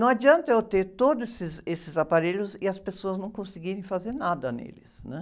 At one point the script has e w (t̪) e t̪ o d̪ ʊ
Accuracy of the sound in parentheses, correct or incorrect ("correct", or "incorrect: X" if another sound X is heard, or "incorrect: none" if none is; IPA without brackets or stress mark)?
correct